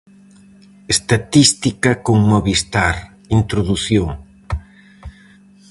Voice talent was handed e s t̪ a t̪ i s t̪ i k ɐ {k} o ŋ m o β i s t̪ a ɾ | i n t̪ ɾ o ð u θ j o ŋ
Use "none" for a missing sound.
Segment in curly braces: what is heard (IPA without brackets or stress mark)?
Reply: k